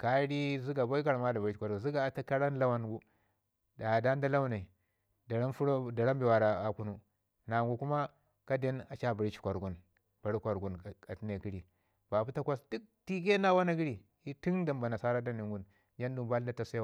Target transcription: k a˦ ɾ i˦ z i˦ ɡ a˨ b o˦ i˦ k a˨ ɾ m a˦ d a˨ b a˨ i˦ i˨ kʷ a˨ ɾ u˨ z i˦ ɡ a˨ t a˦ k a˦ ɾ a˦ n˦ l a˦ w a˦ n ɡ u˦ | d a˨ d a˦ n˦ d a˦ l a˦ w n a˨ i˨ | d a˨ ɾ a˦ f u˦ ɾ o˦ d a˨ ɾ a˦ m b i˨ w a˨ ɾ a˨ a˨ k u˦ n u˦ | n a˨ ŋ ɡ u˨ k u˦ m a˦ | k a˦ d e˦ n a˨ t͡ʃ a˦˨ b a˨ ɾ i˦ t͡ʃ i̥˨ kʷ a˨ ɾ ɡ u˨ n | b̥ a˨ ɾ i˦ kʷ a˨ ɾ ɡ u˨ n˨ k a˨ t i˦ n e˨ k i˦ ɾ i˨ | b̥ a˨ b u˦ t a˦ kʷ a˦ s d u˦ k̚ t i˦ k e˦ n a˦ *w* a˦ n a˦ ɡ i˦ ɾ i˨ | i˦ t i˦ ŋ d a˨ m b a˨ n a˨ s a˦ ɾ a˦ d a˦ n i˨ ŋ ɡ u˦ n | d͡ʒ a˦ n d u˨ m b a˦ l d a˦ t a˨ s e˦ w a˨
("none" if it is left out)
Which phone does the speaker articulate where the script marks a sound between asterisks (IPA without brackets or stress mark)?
w